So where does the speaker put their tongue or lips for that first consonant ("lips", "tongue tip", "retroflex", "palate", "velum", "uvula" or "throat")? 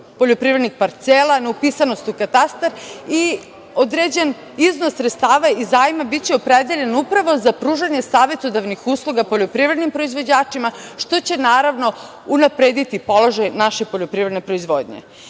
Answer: lips